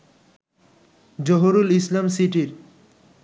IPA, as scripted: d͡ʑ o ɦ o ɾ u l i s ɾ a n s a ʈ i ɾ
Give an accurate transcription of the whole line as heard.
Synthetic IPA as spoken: d͡ʑ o ɦ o ɾ u l i s l a m s i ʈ i ɾ